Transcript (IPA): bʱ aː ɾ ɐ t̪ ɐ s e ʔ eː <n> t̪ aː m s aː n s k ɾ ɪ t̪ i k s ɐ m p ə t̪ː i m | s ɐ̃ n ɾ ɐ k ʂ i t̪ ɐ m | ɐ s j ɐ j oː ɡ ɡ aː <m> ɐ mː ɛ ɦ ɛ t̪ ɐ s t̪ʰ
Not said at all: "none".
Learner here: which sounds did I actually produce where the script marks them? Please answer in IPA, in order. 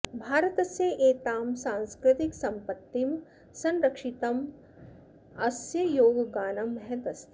none, n

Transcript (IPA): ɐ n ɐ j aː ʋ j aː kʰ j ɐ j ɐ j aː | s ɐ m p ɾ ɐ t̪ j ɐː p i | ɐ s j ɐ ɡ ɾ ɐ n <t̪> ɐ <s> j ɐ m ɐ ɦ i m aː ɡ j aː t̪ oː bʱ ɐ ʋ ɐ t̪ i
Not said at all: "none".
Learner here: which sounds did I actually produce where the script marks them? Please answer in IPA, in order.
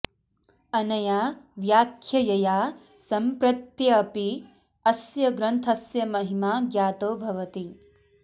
t̪ʰ, s

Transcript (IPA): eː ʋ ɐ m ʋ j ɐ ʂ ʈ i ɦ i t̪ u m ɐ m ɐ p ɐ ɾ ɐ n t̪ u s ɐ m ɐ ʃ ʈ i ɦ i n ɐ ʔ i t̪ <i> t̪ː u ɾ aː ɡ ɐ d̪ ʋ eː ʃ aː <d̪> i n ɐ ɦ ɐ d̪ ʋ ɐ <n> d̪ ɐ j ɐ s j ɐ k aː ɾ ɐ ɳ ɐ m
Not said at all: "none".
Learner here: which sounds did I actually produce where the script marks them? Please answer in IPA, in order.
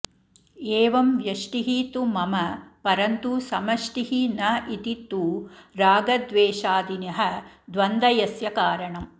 i, d̪, n

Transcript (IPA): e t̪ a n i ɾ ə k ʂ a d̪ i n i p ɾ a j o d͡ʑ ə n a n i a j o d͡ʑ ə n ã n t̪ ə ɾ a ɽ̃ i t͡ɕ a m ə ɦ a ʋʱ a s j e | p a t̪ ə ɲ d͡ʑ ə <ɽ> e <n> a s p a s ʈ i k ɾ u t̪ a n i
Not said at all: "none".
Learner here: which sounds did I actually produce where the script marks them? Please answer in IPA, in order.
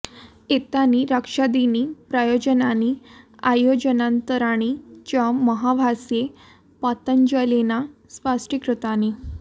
l, n

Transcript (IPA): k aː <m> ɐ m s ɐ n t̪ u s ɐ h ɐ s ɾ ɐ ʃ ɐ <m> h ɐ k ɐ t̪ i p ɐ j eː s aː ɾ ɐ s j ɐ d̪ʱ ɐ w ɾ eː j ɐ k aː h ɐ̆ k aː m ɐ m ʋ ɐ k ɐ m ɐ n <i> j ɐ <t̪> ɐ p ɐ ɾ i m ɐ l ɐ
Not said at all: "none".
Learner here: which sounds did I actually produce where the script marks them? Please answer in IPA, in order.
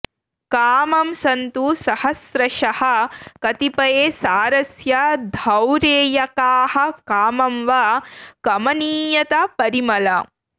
m, none, iː, t̪

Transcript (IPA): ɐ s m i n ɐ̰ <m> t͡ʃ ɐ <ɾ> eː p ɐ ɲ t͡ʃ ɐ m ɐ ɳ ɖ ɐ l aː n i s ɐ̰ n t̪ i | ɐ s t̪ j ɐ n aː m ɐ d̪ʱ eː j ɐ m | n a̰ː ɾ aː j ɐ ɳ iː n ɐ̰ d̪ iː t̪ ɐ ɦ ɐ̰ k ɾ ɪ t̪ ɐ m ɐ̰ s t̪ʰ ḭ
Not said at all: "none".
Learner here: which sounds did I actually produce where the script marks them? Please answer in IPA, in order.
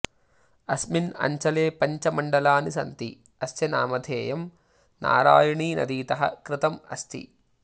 ɲ, l

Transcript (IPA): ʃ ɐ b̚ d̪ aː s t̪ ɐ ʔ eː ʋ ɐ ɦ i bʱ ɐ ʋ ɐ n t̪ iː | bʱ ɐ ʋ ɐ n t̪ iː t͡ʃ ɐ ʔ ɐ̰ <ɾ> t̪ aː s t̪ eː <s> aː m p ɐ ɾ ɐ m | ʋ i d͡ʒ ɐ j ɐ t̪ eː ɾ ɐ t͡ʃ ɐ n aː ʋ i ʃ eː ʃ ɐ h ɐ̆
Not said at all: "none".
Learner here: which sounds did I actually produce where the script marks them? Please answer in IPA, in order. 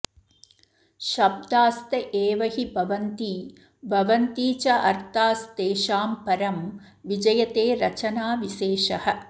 ɾ, ʃ

